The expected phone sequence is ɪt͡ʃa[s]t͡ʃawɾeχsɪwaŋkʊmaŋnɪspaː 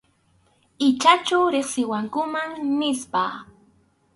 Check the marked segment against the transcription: incorrect: none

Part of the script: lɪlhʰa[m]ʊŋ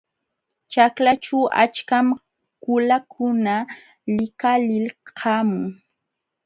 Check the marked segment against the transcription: correct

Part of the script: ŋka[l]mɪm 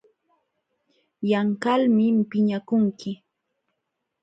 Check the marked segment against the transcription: correct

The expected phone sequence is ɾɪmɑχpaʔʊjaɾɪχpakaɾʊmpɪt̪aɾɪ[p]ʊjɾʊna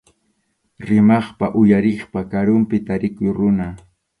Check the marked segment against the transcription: incorrect: k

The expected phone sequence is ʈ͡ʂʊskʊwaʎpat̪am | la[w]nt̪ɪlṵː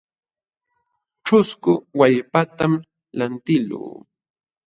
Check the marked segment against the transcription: incorrect: none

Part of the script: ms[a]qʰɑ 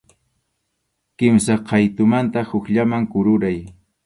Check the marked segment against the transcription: correct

